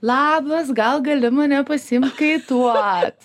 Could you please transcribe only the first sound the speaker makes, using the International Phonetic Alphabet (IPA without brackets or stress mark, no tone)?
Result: lˠ